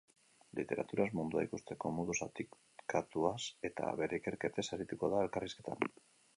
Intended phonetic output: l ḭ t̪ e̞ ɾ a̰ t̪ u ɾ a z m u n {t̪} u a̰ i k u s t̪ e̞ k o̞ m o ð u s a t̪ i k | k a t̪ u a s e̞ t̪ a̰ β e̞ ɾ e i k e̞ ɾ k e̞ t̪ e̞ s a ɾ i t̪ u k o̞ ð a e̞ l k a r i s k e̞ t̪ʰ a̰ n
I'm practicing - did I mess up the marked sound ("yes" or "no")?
yes